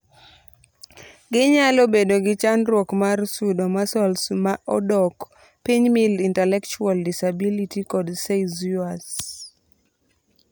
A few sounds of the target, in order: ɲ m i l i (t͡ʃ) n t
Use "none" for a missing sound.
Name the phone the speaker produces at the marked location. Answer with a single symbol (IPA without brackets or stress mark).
none